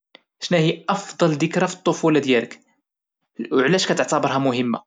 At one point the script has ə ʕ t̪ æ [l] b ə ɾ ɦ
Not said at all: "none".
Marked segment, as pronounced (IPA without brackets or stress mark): none